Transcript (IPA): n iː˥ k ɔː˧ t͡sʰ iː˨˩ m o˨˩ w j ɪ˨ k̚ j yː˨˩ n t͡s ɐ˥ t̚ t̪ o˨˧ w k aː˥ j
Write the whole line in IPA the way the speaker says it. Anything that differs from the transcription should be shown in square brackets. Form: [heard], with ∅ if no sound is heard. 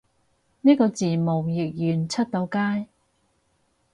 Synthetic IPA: n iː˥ k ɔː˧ [t͡s] iː˨˩ m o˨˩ w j ɪ˨ k̚ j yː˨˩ n [t͡sʰ] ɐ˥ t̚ t̪ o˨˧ w k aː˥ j